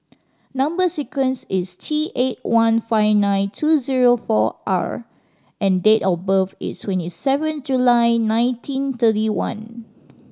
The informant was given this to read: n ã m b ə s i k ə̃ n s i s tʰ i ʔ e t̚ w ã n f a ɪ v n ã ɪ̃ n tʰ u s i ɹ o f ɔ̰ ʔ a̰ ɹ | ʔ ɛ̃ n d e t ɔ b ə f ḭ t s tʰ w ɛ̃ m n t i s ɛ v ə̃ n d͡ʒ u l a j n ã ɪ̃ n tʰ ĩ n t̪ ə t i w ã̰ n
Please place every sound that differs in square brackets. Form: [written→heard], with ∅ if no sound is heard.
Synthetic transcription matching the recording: n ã m b ə s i k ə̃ n s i s tʰ i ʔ e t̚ w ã n f a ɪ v n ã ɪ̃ n tʰ u [s→z] i ɹ o f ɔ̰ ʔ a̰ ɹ | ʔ ɛ̃ n d e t ɔ b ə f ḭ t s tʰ w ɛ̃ [m→∅] n t i s ɛ v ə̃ n d͡ʒ u l a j n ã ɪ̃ n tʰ ĩ n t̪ ə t i w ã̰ n

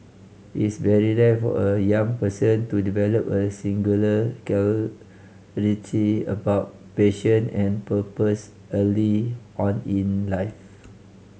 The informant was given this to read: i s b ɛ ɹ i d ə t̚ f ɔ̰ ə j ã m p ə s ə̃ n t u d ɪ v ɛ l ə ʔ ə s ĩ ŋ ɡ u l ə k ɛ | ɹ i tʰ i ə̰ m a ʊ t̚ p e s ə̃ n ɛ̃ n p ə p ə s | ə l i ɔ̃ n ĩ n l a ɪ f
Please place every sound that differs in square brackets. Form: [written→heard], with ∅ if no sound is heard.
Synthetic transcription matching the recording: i s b ɛ ɹ i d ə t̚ f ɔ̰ ə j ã [m→ŋ] p ə s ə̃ n t u d [ɪ→i] v ɛ l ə [ʔ→p] ə s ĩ ŋ ɡ u l ə k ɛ | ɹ i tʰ i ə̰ [m→b] a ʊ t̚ p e [s→ʃ] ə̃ n ɛ̃ n p ə p ə s | ə l i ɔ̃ n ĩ n l a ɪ f

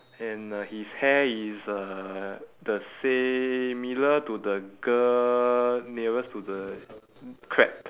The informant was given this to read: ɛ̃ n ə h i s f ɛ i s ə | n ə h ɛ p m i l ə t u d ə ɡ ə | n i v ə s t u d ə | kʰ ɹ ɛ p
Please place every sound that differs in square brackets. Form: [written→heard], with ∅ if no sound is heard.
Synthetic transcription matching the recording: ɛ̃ n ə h i s [f→h] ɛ i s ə | [n→d] ə [h→s] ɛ [p→∅] m i l ə t u d ə ɡ ə | n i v ə s t u d ə | kʰ ɹ ɛ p

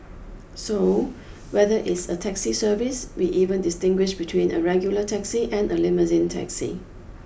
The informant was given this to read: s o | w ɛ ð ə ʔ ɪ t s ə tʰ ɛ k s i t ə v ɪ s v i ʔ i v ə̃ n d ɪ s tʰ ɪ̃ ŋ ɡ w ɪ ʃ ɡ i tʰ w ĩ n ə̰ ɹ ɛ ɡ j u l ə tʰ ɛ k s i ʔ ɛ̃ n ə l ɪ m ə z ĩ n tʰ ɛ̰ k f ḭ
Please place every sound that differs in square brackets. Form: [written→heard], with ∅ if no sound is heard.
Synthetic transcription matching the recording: s o | w ɛ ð ə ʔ ɪ t s ə tʰ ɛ k s i [t→s] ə v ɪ s [v→w] i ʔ i v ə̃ n d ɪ s [tʰ→t] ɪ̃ ŋ ɡ w ɪ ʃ [ɡ→b] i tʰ w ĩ n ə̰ ɹ ɛ ɡ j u l ə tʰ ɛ k s i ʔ ɛ̃ n ə l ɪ m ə z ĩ n tʰ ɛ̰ k [f→s] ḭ

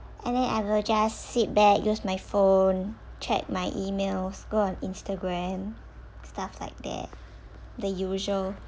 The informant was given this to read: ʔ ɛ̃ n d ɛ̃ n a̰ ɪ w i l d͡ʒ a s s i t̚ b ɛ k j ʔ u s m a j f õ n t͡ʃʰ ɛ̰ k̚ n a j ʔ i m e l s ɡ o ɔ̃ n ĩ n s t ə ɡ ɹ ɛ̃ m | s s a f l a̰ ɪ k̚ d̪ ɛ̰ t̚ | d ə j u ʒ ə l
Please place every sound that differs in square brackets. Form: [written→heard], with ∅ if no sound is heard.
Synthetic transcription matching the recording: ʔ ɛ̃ n d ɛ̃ n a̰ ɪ w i l d͡ʒ a s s i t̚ b ɛ k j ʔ u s m a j f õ n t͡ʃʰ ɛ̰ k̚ [n→m] a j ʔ i m e l s ɡ o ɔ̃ n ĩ n s t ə ɡ ɹ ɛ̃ m | s [s→t] a f l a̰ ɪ k̚ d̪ ɛ̰ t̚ | d ə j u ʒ ə l

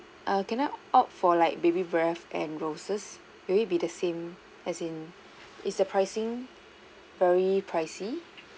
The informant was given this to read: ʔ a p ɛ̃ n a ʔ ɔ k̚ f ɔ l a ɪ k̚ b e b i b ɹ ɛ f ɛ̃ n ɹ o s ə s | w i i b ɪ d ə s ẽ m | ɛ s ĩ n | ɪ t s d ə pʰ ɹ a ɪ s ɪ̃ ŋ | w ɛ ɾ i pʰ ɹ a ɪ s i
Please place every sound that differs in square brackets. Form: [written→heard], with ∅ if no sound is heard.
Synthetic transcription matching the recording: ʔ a [p→k] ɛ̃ n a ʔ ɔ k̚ f ɔ l a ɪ k̚ b e b i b ɹ ɛ f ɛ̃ n ɹ o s ə s | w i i b [ɪ→i] d ə s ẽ m | ɛ s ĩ n | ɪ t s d ə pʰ ɹ a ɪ s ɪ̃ ŋ | [w→v] ɛ [ɾ→ɹ] i pʰ ɹ a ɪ s i

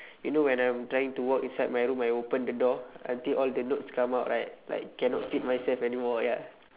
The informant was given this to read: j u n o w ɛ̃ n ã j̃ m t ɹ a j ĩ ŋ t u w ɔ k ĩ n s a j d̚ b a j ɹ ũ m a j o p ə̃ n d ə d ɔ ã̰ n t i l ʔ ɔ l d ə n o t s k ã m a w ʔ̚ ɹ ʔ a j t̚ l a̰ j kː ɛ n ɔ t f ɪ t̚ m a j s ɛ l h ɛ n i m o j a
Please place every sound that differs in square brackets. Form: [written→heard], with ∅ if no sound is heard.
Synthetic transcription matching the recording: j u n o w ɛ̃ n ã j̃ m t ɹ a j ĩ ŋ t u w ɔ k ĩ n s a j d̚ [b→m] a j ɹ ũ m a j o p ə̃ n d ə d ɔ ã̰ n t i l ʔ ɔ l d ə n o t s k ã m a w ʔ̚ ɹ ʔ a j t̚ l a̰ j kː ɛ n ɔ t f [ɪ→i] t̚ m a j s ɛ l [h→f] ɛ n i m [o→ɔ] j a

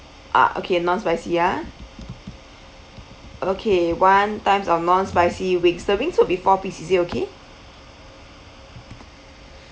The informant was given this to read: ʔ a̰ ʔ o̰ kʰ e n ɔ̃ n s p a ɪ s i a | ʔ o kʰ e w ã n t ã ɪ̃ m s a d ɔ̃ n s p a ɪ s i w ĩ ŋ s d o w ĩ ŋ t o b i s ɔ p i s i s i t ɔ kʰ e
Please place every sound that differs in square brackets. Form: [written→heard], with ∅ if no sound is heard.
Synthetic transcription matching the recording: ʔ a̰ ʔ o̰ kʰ e n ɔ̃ n s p a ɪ s i a | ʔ o kʰ e w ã n t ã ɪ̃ m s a [d→n] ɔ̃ n s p a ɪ s i w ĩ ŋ s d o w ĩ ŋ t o b i [s→f] ɔ p i s i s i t [ɔ→o] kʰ e

